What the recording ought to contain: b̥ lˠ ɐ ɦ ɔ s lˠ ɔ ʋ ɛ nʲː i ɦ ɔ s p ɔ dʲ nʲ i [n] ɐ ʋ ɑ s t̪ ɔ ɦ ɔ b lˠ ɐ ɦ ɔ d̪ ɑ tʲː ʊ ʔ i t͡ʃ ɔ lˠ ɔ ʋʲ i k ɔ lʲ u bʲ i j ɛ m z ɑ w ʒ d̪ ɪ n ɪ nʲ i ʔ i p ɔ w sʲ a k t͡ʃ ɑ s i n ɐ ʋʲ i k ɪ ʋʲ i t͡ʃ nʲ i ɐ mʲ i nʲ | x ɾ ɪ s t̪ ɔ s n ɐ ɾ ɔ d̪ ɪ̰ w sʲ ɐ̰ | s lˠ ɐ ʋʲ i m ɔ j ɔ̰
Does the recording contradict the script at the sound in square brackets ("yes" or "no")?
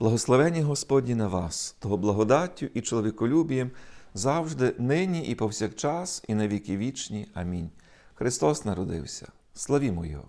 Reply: no